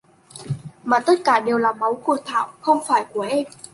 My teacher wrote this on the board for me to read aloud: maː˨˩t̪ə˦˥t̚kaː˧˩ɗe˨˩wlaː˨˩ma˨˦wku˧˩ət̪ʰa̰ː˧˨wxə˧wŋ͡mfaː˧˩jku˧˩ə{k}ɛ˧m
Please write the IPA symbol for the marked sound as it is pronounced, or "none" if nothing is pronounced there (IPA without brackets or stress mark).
ʔ